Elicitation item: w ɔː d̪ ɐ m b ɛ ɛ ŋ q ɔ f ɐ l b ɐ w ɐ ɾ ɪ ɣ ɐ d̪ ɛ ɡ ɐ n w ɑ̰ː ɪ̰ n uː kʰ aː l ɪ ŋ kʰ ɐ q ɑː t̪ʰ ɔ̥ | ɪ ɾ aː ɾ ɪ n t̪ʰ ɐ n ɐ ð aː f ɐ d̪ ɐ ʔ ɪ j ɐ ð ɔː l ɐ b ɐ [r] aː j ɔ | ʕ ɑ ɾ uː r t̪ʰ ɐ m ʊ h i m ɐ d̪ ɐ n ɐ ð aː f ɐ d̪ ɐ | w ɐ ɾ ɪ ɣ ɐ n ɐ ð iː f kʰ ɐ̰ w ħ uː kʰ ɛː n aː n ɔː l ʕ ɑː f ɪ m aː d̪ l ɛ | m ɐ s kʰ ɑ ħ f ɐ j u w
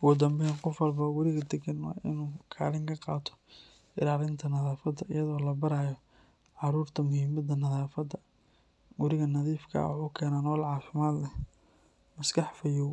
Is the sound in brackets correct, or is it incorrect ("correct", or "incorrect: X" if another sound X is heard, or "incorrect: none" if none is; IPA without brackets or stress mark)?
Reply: incorrect: ɾ